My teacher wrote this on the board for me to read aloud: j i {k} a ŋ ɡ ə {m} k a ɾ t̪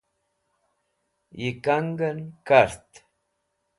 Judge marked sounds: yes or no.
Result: yes, no

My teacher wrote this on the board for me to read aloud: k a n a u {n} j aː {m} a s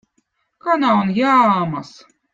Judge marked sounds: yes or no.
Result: yes, yes

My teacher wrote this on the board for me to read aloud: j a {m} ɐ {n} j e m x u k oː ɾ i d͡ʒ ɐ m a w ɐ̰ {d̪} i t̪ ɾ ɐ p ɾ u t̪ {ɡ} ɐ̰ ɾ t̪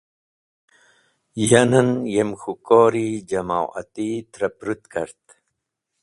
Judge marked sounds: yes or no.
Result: no, yes, no, no

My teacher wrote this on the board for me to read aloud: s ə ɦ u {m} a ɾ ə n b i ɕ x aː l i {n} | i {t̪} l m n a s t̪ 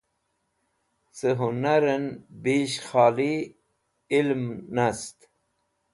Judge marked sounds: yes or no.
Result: no, no, no

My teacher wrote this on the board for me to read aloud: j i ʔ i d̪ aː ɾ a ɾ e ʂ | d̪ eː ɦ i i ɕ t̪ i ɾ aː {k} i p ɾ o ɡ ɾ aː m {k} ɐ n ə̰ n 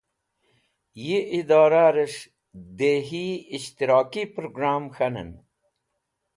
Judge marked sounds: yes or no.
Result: yes, no

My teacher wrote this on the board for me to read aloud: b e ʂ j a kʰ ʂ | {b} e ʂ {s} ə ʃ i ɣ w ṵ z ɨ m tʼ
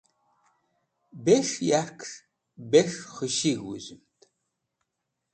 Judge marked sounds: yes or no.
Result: yes, no

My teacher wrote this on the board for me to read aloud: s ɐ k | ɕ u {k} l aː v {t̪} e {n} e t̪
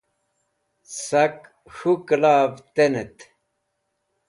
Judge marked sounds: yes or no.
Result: yes, yes, yes

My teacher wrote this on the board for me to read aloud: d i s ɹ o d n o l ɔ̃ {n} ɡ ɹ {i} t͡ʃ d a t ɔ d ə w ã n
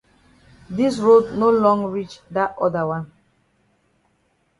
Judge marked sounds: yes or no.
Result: no, yes

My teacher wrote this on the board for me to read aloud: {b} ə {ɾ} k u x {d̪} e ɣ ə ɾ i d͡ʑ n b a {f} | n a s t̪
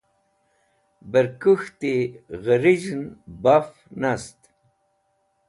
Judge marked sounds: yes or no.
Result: yes, yes, no, yes

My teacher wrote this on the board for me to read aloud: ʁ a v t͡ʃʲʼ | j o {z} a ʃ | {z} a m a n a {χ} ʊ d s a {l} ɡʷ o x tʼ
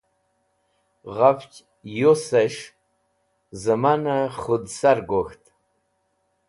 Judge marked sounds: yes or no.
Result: no, yes, yes, no

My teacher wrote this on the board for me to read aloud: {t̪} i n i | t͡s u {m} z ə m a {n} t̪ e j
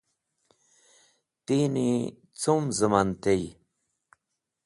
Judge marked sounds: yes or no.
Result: yes, yes, yes

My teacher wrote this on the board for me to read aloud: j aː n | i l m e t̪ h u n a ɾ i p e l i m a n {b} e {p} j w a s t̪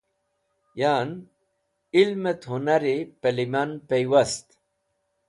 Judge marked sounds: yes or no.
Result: no, no

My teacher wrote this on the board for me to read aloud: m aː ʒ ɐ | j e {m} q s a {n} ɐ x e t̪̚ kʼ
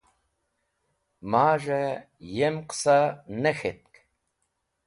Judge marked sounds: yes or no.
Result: yes, yes

